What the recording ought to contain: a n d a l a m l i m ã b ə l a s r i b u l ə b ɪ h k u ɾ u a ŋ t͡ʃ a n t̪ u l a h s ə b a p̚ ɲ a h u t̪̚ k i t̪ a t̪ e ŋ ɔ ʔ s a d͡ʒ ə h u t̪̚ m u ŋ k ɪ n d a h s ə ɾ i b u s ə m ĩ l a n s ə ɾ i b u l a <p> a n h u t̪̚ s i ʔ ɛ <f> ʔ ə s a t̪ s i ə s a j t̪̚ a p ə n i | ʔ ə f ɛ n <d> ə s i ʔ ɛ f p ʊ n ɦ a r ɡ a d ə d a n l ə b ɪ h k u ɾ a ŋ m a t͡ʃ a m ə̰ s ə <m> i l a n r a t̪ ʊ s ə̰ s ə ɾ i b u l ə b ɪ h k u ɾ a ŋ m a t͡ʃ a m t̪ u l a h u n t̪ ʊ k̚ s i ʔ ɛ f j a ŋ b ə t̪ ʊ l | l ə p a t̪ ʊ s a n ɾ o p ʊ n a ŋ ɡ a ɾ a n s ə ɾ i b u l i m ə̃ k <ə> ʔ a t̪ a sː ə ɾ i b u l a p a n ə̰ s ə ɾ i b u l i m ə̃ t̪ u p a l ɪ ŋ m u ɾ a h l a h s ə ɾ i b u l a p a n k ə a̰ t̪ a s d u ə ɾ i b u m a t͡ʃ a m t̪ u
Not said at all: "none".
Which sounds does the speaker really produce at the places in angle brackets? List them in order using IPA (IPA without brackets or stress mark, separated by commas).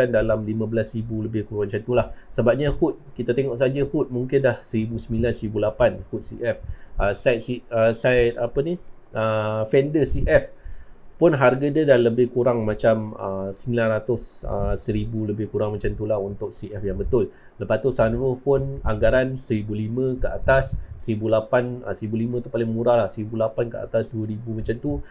p, f, d, m, ə